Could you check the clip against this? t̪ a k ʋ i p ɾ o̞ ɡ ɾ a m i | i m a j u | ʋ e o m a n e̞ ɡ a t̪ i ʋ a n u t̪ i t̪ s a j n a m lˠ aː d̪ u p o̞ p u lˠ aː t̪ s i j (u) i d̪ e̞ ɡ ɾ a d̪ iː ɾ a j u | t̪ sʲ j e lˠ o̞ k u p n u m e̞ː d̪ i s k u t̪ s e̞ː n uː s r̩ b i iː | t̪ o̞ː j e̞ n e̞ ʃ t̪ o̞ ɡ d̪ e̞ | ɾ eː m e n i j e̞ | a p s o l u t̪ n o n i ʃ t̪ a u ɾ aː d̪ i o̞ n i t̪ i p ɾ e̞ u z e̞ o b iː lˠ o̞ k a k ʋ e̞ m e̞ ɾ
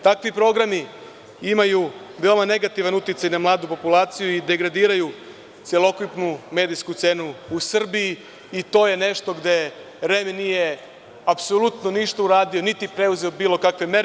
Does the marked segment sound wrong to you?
no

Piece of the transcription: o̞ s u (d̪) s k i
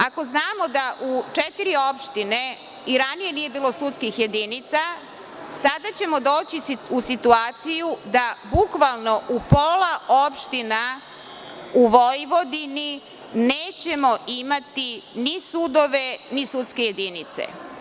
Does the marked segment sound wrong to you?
yes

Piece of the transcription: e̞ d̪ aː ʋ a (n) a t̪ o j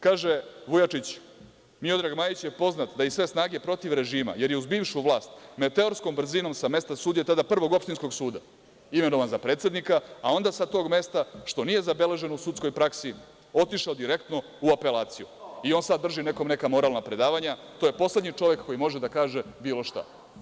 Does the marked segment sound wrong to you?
yes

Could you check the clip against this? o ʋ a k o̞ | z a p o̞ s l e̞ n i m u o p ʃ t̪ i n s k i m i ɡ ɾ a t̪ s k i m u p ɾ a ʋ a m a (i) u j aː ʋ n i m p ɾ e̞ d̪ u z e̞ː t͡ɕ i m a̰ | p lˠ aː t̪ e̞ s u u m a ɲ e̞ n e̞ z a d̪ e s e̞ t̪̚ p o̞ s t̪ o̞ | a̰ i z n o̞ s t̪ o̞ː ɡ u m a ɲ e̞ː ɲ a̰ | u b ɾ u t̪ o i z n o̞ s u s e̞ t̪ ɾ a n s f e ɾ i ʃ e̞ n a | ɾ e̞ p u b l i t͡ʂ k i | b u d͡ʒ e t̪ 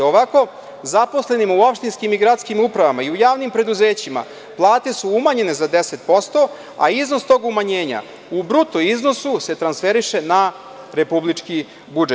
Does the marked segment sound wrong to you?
no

